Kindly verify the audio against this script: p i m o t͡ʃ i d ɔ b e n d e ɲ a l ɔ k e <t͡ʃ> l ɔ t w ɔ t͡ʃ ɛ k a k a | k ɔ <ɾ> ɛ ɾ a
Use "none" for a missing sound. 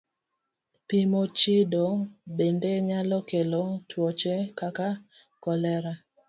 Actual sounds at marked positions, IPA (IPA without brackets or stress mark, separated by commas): none, l